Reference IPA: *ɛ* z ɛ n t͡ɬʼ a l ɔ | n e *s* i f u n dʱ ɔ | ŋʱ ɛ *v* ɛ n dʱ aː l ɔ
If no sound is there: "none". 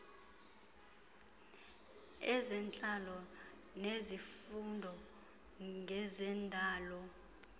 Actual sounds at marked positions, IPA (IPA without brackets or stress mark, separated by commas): ɛ, z, z